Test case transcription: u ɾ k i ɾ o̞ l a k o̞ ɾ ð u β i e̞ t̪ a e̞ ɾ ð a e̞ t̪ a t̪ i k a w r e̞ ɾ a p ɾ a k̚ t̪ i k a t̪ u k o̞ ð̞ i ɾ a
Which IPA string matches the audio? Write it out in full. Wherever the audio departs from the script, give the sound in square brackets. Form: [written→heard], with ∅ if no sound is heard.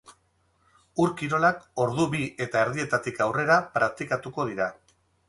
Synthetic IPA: u ɾ k i ɾ o̞ l a k o̞ ɾ ð u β i e̞ t̪ a e̞ ɾ ð [a→i] e̞ t̪ a t̪ i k a w r e̞ ɾ a p ɾ a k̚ t̪ i k a t̪ u k o̞ ð̞ i ɾ a